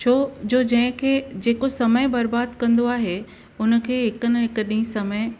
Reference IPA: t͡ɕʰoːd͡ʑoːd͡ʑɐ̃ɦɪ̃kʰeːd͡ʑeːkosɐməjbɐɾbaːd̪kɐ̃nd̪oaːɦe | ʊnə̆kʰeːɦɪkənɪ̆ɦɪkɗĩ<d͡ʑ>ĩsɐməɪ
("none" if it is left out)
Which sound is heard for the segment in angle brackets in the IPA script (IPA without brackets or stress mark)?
none